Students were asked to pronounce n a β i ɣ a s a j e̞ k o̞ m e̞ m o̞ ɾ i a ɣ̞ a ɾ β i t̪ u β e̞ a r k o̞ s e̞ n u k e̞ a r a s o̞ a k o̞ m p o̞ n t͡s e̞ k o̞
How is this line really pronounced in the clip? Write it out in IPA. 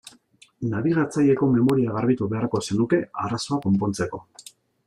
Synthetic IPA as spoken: n a β i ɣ a t͡s a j e̞ k o̞ m e̞ m o̞ ɾ i a ɣ̞ a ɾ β i t̪ u β e̞ a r k o̞ s e̞ n u k e̞ a r a s o̞ a k o̞ m p o̞ n t͡s e̞ k o̞